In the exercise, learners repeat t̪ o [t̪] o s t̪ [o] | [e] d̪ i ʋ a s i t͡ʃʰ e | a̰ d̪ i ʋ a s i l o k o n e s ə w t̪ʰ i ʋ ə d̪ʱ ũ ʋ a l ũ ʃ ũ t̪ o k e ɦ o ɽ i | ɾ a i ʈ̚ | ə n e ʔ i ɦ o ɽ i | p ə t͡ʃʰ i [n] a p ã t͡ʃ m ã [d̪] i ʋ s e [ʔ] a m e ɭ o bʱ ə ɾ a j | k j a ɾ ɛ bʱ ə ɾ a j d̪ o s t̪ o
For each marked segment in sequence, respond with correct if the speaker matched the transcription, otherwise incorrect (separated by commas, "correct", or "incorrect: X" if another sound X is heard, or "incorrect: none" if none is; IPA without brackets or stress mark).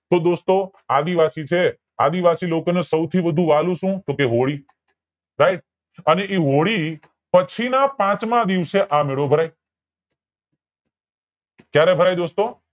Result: incorrect: d̪, correct, incorrect: a, correct, correct, correct